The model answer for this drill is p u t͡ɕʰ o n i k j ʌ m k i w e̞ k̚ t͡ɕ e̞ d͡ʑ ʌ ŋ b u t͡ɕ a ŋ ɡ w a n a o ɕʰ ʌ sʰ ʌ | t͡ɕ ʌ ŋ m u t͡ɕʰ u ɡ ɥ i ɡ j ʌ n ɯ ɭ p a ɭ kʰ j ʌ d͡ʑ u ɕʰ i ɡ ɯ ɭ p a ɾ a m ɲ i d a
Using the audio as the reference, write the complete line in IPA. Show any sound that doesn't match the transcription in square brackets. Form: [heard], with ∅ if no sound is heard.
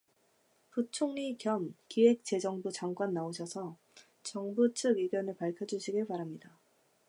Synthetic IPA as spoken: p u t͡ɕʰ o [ŋ] i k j ʌ m k i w e̞ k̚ t͡ɕ e̞ d͡ʑ ʌ ŋ b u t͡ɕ a ŋ ɡ w a [nː] a o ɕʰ ʌ sʰ ʌ | t͡ɕ ʌ ŋ [b] u t͡ɕʰ [ɯ] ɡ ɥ i ɡ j ʌ n ɯ ɭ p a ɭ kʰ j ʌ d͡ʑ u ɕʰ i ɡ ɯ ɭ p a ɾ a m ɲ i d a